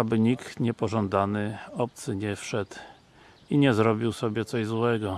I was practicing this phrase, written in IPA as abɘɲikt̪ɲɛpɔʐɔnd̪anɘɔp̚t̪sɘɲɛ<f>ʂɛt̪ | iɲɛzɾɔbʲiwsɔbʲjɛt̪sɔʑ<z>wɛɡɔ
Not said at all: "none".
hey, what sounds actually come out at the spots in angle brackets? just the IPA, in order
f, z

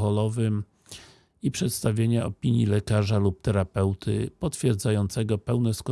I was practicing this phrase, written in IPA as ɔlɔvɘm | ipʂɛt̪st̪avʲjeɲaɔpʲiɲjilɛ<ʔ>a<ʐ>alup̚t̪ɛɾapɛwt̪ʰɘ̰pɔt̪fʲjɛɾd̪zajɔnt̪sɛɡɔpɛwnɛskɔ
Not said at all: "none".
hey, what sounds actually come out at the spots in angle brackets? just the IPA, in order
k, ʐ

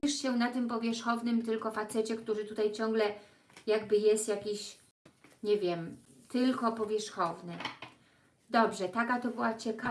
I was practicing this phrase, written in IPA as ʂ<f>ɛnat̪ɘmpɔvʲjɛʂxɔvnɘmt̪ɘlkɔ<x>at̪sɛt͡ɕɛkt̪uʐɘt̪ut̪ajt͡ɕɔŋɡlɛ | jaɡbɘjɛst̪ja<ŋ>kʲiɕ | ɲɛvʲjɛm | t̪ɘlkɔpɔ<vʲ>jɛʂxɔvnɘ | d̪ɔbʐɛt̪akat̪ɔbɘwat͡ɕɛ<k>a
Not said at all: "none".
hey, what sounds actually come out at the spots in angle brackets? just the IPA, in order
ɕ, f, none, vʲ, k

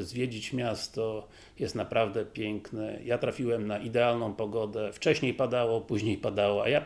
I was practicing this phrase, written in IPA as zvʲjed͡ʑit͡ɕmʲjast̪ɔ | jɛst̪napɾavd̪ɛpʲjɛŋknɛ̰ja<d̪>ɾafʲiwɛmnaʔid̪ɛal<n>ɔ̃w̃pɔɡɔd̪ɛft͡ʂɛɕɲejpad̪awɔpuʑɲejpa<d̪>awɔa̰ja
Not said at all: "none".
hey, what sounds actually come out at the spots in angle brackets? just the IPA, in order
t̪, n, d̪

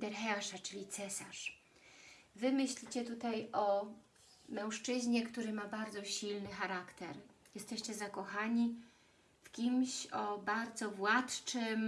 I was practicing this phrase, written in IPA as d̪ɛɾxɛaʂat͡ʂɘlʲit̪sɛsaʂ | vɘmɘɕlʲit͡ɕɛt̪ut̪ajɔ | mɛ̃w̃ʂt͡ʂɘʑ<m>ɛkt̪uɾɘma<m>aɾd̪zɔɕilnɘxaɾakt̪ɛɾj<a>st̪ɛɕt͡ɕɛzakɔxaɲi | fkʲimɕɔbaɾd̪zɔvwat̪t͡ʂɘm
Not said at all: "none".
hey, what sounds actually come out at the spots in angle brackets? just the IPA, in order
ɲ, b, ɛ

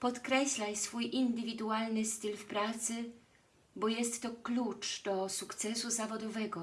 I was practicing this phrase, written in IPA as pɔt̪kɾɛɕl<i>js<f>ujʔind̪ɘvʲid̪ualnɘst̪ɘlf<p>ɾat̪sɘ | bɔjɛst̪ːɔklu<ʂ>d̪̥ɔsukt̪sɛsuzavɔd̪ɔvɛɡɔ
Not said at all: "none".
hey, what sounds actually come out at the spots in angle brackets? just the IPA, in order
a, f, p, t͡ʂ

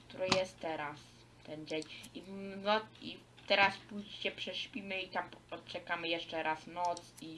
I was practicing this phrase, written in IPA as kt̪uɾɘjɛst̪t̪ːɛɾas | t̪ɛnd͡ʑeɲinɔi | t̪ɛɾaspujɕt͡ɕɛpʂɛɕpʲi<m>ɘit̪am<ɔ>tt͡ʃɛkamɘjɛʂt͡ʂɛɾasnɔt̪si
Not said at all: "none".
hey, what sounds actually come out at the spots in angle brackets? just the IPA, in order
m, ɔ

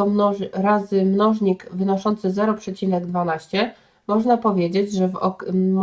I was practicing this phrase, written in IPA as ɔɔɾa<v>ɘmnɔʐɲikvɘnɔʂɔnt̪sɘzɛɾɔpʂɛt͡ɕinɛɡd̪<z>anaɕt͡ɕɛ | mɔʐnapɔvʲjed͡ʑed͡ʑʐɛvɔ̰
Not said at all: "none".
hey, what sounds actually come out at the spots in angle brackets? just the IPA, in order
z, v

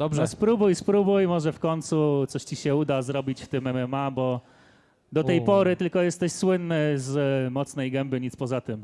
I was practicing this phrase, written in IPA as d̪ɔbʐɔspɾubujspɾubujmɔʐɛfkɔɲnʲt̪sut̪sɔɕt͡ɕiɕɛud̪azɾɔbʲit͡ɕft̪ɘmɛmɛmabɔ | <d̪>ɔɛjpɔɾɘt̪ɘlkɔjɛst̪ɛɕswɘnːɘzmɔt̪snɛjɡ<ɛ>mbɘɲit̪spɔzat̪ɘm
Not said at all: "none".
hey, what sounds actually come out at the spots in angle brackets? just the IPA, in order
d̪, ɛ

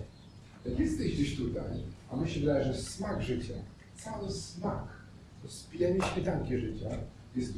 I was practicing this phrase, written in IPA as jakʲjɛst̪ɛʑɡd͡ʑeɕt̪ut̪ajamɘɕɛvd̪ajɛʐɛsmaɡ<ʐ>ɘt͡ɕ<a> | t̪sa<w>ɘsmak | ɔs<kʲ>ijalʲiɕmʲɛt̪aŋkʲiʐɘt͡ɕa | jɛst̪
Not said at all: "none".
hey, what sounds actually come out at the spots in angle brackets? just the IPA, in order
ʐ, a, w, pʲ

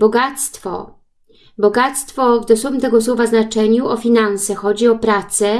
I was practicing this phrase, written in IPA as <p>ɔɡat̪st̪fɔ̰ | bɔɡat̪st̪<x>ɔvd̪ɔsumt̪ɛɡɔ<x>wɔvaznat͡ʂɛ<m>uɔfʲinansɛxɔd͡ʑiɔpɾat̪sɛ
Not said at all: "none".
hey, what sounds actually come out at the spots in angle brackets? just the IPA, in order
b, f, s, ɲ

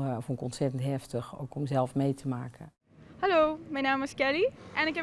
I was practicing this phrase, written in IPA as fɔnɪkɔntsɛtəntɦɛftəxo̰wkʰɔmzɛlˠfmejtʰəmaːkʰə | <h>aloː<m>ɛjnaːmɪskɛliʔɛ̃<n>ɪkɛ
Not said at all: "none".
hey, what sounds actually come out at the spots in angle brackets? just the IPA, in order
h, m, n

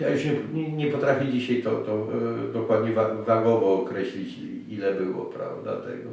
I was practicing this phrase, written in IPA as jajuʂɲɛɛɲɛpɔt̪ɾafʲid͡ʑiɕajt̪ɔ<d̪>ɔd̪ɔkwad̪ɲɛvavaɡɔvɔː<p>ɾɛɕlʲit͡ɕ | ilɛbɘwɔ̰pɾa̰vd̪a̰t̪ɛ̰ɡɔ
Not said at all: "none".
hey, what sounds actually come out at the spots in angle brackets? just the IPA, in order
t̪, k

